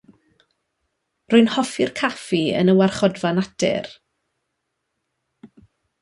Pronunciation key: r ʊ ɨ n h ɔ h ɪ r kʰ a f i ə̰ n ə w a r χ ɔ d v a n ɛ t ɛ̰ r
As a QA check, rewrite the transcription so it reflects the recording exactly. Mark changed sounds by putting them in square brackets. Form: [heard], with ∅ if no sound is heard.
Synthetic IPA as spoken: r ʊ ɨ n h ɔ [f] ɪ r kʰ a f i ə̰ n ə w a r χ ɔ d v a n [a] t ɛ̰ r